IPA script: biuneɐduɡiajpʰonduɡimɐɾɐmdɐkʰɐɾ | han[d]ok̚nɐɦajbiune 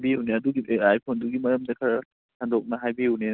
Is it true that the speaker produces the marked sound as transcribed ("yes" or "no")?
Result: yes